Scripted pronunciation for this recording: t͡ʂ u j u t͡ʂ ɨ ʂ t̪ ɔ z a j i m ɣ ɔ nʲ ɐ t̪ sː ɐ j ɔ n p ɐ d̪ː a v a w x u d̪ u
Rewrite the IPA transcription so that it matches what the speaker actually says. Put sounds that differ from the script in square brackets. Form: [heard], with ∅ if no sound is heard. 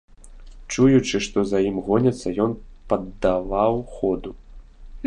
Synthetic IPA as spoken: t͡ʂ u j u t͡ʂ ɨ ʂ t̪ ɔ z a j i m ɣ ɔ nʲ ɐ t̪ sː ɐ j ɔ n p ɐ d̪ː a v a w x [ɔ] d̪ u